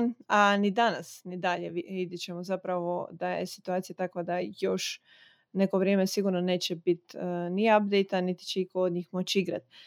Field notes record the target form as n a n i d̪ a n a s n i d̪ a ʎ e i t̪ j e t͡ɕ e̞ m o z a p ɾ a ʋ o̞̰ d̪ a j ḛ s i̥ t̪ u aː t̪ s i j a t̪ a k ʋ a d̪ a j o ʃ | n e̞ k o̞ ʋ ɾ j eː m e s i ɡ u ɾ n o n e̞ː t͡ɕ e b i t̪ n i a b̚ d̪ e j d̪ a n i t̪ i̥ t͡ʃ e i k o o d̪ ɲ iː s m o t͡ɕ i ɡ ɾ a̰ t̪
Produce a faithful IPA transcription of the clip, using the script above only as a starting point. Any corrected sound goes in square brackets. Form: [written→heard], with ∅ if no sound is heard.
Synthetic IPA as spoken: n a n i d̪ a n a s n i d̪ a ʎ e i [t̪→d̪] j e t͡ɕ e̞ m o z a p ɾ a ʋ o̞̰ d̪ a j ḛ s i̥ t̪ u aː t̪ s i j a t̪ a k ʋ a d̪ a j o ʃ | n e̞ k o̞ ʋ ɾ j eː m e s i ɡ u ɾ n o n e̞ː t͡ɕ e b i t̪ n i a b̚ d̪ e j [d̪→t̪] a n i t̪ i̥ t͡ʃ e i k o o d̪ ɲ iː [s→x] m o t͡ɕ i ɡ ɾ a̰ t̪